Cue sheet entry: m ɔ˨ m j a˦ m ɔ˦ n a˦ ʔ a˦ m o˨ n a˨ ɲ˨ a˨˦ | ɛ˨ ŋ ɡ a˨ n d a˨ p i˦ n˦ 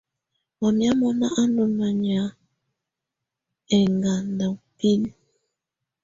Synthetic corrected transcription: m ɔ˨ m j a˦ m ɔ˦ n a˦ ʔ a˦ n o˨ n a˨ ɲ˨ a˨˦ | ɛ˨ ŋ ɡ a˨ n d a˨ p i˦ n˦